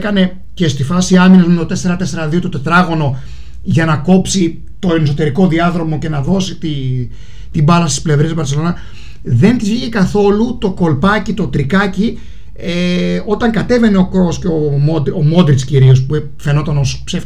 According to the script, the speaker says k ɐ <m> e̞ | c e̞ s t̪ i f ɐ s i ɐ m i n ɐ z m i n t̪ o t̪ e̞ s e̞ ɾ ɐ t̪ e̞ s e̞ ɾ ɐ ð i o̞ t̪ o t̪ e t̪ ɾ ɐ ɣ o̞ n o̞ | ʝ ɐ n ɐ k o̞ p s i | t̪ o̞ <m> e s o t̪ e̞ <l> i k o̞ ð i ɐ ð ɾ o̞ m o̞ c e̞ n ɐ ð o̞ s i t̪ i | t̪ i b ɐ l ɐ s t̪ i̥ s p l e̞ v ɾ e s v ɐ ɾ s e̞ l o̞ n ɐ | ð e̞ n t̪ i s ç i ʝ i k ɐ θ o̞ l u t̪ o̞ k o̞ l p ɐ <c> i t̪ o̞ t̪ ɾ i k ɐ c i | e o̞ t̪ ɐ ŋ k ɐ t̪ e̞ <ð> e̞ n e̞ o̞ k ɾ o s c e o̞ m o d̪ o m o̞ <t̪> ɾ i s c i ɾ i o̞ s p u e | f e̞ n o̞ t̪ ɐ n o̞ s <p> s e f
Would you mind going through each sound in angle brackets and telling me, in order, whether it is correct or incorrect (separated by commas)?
incorrect, incorrect, incorrect, correct, incorrect, incorrect, correct